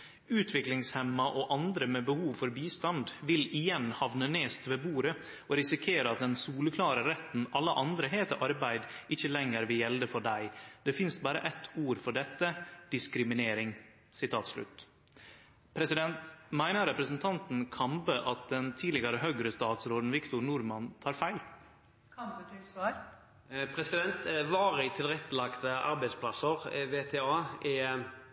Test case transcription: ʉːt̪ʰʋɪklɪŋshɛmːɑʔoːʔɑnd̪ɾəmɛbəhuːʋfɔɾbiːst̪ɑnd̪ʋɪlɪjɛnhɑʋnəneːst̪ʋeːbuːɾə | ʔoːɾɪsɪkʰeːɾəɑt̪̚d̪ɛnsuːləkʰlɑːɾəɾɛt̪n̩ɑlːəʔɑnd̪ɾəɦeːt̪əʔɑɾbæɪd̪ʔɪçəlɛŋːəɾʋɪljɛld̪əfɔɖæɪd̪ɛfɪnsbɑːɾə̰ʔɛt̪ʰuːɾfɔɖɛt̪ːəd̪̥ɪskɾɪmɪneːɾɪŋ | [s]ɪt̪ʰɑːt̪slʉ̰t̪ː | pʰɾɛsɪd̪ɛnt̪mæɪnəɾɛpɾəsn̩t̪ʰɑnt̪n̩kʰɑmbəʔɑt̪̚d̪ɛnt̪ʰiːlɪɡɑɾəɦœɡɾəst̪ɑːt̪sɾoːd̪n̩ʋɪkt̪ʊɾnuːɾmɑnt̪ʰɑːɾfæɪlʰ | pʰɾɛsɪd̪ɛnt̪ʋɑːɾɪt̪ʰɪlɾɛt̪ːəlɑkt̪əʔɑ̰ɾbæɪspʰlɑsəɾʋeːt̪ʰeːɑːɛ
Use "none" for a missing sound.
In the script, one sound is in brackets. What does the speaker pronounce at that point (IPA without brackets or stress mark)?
s